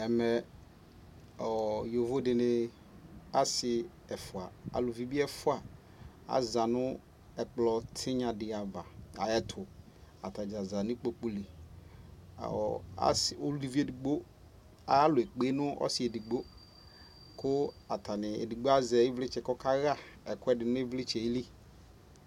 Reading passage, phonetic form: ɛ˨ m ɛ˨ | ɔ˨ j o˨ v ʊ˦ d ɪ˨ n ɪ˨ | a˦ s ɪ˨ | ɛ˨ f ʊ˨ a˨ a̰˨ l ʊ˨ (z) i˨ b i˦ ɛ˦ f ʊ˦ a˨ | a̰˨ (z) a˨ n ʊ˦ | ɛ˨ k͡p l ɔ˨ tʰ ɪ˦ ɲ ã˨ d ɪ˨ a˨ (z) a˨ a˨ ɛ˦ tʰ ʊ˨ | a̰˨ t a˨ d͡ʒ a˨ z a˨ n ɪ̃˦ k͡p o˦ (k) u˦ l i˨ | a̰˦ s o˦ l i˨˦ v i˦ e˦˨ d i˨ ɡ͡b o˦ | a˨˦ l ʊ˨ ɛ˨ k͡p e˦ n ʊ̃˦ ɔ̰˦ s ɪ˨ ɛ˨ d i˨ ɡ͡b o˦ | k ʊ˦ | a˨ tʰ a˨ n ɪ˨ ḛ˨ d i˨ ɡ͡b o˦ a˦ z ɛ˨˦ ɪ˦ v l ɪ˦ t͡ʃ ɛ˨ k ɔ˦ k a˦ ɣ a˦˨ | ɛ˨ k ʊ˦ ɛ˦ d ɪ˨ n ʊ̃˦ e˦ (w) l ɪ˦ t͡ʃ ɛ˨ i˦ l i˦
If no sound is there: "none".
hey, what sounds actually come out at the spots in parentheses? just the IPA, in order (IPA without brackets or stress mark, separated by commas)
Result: v, z, v, k͡p, v